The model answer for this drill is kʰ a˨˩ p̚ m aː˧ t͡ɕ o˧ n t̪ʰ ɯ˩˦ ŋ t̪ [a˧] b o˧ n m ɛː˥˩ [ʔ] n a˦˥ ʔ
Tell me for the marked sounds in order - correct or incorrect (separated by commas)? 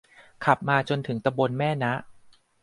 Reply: correct, incorrect